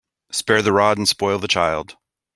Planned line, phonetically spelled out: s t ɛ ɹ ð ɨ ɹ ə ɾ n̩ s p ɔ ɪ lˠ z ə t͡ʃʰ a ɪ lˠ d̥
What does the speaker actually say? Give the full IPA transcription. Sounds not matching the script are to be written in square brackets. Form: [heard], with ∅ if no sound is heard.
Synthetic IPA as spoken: s [p] ɛ ɹ ð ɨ ɹ [ɑ] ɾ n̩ s p ɔ ɪ lˠ [ð] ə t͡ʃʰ a ɪ lˠ d̥